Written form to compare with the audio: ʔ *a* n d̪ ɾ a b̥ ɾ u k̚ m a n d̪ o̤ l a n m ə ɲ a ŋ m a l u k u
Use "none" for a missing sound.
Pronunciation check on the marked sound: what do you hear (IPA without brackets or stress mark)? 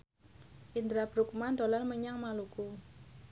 i